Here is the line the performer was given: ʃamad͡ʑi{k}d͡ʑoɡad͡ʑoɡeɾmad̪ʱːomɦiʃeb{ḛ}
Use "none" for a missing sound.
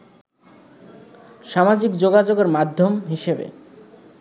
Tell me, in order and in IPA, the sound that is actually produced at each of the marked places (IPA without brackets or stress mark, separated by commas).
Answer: k, ḛ